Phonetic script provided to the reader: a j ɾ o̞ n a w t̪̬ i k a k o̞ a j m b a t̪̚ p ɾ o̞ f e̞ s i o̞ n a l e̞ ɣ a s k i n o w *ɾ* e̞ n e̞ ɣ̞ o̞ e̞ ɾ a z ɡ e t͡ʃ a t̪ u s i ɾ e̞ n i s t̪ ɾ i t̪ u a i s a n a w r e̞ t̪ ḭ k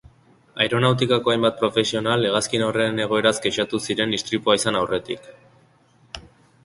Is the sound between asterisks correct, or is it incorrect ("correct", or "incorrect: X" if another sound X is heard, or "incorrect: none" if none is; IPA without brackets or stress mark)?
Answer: incorrect: r